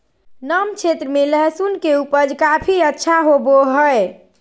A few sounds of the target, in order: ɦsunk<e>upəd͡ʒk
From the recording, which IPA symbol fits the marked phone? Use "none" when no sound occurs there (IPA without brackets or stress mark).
e